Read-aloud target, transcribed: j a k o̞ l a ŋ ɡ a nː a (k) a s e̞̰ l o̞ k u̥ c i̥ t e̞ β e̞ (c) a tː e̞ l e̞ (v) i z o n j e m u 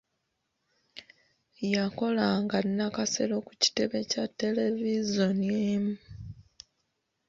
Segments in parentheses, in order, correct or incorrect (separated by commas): correct, correct, correct